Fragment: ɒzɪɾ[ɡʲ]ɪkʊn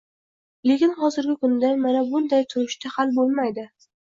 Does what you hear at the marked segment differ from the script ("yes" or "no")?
no